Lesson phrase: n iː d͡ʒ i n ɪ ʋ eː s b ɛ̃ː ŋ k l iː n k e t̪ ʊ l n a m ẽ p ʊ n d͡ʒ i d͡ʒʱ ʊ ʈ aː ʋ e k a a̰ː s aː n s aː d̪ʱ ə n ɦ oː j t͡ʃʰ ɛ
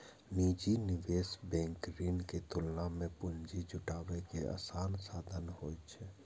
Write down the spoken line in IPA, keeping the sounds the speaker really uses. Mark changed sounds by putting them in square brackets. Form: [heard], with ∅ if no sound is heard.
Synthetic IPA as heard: n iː d͡ʒ i n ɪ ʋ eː s b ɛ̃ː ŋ k [ɾ] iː n k e t̪ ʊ l n a m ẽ p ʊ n d͡ʒ i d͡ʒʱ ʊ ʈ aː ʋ e k [e] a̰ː s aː n s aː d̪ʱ ə n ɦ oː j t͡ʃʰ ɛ